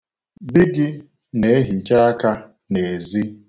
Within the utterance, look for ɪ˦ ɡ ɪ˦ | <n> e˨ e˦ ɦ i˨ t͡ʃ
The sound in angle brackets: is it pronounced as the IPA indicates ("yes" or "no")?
yes